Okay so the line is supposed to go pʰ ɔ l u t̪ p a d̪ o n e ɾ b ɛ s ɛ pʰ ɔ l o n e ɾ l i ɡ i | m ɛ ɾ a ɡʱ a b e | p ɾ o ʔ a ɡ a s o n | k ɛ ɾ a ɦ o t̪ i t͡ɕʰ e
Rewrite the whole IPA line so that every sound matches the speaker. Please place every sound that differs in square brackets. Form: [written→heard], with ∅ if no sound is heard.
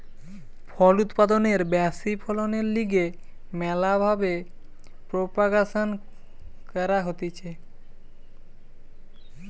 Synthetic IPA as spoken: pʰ ɔ l u t̪ p a d̪ o n e ɾ b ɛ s [ɛ→i] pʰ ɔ l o n e ɾ l i ɡ [i→e] | m ɛ [ɾ→l] a [ɡʱ→bʱ] a b e | p ɾ o [ʔ→p] a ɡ a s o n | k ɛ ɾ a ɦ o t̪ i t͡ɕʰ e